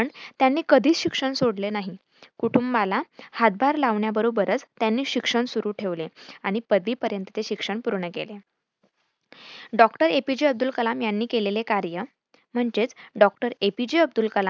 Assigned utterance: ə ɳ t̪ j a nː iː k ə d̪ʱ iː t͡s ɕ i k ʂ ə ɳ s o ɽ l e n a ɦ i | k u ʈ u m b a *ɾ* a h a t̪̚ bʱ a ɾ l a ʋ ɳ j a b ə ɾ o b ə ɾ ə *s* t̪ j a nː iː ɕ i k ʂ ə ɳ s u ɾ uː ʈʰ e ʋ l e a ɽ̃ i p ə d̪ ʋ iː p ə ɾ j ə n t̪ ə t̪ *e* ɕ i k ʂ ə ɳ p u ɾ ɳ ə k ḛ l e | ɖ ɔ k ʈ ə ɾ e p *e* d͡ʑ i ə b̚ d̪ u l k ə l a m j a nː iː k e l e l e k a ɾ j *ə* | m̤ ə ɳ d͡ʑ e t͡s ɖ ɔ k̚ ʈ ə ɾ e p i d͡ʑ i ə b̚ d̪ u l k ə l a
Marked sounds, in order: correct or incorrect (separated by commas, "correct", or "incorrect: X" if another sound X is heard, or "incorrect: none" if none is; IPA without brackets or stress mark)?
incorrect: l, incorrect: t͡s, correct, incorrect: i, correct